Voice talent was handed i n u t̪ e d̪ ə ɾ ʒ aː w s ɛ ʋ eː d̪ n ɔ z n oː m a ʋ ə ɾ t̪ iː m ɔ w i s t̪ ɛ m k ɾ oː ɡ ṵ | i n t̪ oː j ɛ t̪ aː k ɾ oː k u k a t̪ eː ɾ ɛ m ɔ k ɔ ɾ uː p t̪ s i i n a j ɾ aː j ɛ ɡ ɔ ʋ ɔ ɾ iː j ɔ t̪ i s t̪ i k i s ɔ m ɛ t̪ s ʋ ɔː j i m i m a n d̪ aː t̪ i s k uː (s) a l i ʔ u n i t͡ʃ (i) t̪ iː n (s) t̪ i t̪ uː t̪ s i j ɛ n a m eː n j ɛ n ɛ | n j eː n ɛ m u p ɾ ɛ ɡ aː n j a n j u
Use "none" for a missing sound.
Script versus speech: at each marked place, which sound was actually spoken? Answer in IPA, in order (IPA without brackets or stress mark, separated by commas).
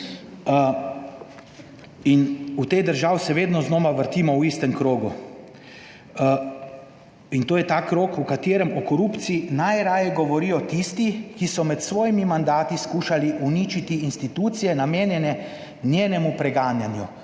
ʃ, i, s